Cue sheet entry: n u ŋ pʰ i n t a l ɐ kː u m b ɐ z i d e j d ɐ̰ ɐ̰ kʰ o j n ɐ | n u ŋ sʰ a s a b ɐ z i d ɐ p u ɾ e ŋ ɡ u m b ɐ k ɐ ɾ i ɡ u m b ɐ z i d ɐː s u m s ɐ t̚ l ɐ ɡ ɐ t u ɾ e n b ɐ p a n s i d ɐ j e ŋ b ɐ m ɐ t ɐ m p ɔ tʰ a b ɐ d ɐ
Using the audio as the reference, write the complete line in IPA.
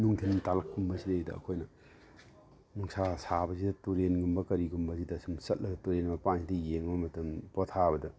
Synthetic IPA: n u ŋ tʰ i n t a l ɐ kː u m b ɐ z i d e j d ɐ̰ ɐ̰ kʰ o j n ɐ | n u ŋ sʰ a s a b ɐ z i d ɐ t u ɾ e n ɡ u m b ɐ k ɐ ɾ i ɡ u m b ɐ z i d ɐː s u m s ɐ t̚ l ɐ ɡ ɐ t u ɾ e n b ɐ p a n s i d ɐ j e ŋ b ɐ m ɐ t ɐ m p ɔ tʰ a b ɐ d ɐ